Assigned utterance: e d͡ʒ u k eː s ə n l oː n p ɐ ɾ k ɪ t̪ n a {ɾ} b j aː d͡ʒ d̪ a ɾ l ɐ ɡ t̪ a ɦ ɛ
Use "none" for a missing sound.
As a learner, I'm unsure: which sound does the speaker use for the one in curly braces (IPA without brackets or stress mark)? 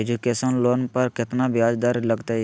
none